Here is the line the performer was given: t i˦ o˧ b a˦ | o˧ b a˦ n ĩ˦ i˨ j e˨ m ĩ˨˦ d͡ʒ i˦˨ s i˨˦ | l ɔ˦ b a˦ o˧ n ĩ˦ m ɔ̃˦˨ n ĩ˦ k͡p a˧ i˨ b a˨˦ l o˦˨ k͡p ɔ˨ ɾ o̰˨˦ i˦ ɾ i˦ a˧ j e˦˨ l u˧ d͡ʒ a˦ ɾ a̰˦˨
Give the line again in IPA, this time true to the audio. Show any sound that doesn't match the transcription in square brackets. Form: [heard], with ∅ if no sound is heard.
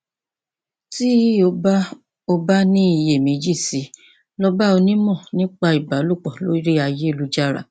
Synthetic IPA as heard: t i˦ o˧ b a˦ | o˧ b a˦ n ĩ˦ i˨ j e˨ m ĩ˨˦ d͡ʒ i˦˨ s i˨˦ | l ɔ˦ b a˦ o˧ n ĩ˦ m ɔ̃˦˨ n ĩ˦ k͡p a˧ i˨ b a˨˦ l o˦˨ k͡p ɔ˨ [l] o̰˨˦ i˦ ɾ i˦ a˧ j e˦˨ l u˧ d͡ʒ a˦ ɾ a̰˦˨